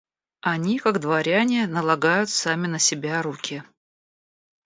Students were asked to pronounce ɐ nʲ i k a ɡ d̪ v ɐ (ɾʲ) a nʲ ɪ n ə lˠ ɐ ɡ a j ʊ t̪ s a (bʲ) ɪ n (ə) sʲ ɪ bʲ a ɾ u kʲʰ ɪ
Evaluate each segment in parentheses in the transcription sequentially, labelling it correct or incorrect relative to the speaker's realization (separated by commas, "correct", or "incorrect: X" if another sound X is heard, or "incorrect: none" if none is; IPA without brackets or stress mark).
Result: correct, incorrect: mʲ, correct